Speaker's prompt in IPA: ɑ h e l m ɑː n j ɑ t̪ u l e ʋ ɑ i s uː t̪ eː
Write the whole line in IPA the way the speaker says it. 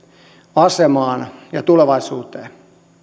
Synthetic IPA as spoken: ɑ s e m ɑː n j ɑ t̪ u l e ʋ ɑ i s uː t̪ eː